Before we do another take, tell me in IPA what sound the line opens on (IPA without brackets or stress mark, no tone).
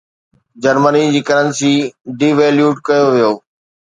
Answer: d͡ʑ